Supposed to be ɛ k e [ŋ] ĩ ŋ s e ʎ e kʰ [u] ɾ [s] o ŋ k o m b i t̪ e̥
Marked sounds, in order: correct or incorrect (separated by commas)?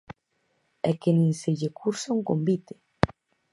incorrect, correct, correct